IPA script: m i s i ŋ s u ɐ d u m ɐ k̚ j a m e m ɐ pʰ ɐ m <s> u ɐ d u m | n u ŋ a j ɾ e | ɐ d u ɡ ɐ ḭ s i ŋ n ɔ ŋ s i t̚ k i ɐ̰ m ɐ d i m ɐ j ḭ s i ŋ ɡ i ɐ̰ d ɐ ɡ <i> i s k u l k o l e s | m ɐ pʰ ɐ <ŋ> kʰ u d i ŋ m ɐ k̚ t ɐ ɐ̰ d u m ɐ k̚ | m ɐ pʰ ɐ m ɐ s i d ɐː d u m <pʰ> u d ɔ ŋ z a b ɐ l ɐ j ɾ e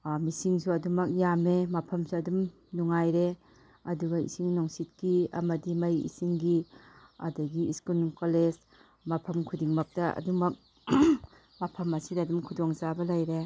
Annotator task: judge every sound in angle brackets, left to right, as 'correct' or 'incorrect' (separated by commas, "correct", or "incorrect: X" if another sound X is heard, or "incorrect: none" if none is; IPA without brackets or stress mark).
correct, correct, incorrect: m, incorrect: kʰ